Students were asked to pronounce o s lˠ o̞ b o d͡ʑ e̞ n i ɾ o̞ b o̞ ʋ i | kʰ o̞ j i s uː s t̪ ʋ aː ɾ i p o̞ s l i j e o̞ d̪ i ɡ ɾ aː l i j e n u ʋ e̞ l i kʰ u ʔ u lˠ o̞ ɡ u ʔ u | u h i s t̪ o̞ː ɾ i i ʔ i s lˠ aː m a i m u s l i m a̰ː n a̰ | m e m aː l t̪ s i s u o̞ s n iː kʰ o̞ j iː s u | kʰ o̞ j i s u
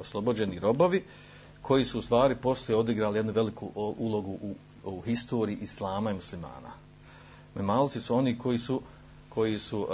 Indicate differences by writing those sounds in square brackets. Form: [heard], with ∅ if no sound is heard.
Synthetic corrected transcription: o s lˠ o̞ b o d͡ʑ e̞ n i ɾ o̞ b o̞ ʋ i | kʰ o̞ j i s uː s t̪ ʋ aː ɾ i p o̞ s l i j e o̞ d̪ i ɡ ɾ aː l i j e n u ʋ e̞ l i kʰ u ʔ u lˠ o̞ ɡ u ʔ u | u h i s t̪ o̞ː ɾ i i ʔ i s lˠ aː m a i m u s l i m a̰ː n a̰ | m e m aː l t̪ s i s u o̞ [∅] n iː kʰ o̞ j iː s u | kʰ o̞ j i s u